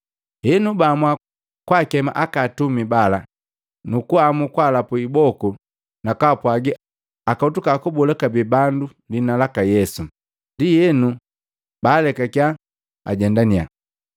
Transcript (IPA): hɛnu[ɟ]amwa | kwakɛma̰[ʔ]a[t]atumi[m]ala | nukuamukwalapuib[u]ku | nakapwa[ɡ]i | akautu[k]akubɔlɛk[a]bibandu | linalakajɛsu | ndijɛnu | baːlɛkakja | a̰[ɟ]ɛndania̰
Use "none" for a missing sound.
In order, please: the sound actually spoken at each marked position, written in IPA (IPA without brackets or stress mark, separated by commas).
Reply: b, ʔ, k, b, ɔ, ɡ, k, a, ɟ